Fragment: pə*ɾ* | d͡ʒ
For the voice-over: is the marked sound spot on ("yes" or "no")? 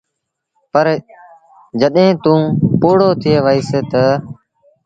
yes